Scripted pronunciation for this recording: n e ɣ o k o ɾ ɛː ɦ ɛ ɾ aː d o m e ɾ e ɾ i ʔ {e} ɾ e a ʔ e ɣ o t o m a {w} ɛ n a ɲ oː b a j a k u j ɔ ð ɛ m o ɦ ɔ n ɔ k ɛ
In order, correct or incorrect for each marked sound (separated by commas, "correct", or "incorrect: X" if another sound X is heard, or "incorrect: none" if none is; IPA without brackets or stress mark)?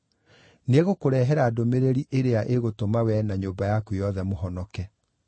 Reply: correct, correct